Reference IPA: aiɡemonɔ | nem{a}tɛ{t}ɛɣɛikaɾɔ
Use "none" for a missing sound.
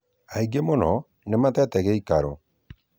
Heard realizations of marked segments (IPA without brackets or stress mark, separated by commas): a, t